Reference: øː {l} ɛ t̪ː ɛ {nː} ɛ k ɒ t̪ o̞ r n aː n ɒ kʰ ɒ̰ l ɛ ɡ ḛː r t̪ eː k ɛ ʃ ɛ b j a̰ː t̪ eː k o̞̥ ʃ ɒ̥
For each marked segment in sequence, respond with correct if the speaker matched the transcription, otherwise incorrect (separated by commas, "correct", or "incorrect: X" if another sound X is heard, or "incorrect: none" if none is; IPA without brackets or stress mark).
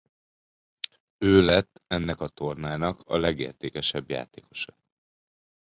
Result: correct, correct